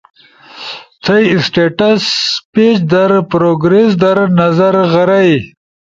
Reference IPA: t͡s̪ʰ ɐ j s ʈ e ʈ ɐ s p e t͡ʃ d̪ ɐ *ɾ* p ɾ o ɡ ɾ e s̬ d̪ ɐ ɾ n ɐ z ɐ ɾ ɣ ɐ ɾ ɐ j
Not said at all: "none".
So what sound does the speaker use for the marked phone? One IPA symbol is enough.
ɾ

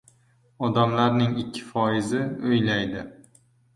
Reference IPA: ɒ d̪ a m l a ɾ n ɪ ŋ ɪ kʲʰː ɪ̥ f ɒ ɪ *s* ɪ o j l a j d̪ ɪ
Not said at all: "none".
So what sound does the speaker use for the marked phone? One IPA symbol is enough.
z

